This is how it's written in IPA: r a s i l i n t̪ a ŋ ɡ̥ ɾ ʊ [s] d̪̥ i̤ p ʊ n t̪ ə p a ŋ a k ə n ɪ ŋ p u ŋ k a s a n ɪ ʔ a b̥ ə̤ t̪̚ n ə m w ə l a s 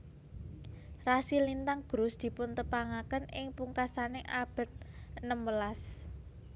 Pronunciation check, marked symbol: correct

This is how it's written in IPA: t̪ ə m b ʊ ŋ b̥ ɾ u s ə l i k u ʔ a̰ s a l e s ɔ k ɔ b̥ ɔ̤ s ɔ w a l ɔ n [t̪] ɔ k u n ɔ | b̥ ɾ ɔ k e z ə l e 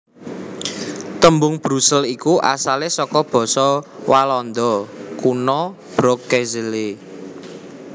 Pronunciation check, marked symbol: incorrect: d̪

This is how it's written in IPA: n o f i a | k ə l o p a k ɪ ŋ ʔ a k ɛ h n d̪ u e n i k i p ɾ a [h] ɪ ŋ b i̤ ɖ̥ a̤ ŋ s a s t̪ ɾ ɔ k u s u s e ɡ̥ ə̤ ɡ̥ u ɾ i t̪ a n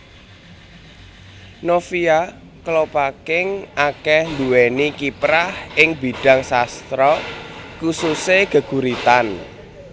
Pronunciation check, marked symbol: correct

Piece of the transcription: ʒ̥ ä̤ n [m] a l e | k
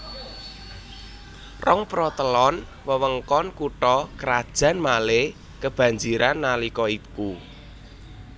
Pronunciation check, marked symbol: correct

